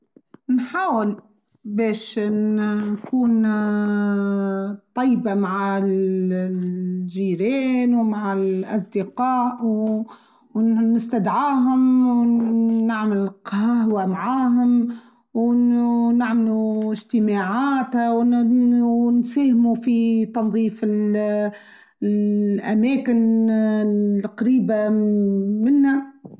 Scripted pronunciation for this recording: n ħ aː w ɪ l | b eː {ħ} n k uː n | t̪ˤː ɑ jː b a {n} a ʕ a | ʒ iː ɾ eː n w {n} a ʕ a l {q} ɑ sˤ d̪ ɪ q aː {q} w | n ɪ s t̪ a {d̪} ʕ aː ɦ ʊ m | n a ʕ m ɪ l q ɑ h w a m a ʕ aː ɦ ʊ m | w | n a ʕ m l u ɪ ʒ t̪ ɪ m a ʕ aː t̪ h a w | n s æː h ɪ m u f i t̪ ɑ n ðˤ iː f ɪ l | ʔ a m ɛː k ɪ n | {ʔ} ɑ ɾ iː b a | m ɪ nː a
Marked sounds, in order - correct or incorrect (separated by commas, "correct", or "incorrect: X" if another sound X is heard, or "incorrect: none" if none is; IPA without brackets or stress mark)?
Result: incorrect: ʃ, incorrect: m, incorrect: m, incorrect: ʔ, incorrect: ʔ, correct, incorrect: q